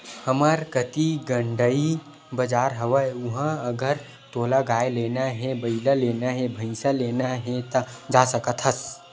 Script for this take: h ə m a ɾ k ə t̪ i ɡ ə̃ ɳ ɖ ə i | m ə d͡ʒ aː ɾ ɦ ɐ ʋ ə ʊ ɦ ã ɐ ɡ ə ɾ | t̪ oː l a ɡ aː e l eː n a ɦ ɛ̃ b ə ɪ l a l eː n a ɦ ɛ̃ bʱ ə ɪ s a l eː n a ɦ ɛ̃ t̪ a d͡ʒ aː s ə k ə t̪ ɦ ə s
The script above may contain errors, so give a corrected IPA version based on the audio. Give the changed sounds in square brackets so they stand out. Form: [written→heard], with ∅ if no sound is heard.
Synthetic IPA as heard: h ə m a ɾ k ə t̪ i ɡ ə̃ ɳ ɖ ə i | [m→b] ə d͡ʒ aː ɾ ɦ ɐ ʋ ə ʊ ɦ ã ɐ ɡ ə ɾ | t̪ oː l a ɡ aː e l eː n a ɦ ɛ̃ b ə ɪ l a l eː n a ɦ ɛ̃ bʱ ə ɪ s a l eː n a ɦ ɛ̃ t̪ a d͡ʒ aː s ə k ə t̪ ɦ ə s